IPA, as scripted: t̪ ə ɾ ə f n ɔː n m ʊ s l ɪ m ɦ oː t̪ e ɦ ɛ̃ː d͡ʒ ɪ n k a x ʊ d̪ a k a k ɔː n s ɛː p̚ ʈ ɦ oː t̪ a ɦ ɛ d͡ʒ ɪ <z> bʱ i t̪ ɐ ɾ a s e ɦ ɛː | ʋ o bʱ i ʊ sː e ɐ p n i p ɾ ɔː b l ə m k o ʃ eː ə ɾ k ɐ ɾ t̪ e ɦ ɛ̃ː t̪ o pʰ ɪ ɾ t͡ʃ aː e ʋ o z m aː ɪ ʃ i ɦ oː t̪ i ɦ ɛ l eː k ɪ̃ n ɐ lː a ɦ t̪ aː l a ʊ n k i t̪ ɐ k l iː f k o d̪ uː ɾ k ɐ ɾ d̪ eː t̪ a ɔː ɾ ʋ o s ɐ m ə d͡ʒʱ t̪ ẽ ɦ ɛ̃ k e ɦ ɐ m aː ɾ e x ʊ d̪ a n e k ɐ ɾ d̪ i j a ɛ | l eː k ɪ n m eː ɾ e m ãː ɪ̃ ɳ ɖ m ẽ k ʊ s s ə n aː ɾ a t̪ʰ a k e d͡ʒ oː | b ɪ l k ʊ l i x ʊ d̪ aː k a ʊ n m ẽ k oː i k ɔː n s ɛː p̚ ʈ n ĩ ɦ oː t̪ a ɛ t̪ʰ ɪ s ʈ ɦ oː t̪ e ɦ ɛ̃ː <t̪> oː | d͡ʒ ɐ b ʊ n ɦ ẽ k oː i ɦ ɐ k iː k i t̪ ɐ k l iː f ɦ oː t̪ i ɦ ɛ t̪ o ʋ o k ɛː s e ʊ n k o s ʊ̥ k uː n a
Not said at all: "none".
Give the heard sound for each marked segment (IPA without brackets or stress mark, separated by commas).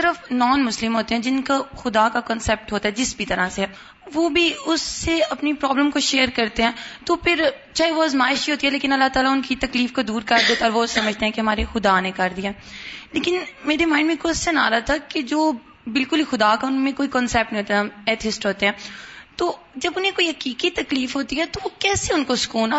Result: s, t̪